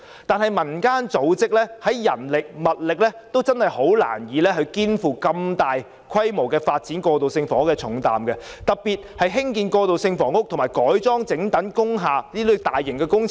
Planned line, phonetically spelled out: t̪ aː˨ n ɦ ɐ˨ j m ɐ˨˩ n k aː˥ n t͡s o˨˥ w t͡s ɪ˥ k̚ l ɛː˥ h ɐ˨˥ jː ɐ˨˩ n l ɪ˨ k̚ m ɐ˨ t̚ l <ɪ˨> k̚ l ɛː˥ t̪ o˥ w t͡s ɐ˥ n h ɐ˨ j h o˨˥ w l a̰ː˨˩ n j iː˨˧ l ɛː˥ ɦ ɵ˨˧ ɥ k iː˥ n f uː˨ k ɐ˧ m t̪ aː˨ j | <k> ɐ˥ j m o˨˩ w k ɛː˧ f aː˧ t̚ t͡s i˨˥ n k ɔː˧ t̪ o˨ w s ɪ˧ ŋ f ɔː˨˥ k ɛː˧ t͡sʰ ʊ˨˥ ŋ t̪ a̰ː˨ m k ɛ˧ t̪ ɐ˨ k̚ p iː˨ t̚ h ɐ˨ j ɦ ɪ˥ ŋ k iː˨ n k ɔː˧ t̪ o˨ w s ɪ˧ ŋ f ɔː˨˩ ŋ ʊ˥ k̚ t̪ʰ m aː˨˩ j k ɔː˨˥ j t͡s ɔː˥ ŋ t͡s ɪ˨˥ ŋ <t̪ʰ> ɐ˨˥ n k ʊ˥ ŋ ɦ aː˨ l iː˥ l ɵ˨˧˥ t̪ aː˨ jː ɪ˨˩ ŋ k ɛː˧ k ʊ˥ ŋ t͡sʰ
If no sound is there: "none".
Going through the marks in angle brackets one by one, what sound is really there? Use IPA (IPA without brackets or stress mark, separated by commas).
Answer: ɪ˨, kʰ, t̪